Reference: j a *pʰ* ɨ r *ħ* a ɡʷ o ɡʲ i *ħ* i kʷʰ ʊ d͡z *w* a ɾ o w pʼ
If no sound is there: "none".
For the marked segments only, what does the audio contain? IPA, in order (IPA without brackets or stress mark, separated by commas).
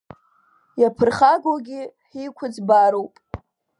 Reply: pʰ, χ, ħ, b